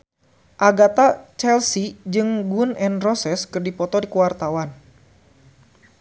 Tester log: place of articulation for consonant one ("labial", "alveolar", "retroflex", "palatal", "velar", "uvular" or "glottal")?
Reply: glottal